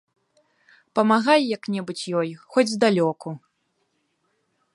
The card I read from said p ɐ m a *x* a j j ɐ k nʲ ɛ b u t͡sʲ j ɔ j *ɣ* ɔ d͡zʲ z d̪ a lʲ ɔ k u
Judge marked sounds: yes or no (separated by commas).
no, no